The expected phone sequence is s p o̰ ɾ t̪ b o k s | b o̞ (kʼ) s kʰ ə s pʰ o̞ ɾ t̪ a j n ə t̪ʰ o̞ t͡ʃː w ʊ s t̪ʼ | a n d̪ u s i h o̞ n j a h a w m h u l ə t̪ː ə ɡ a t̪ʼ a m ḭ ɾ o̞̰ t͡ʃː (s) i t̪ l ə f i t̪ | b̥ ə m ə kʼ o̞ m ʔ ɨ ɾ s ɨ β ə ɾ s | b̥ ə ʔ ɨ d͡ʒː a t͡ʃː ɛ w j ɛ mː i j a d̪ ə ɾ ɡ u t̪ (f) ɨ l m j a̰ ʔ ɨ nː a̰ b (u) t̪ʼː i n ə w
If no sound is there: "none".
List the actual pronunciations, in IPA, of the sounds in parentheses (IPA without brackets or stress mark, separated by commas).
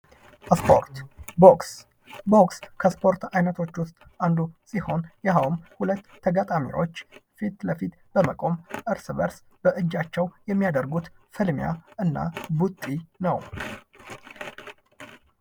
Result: k, f, f, u